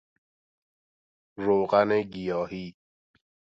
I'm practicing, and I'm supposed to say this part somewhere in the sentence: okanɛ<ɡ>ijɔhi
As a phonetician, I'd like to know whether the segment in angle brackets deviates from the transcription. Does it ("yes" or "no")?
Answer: no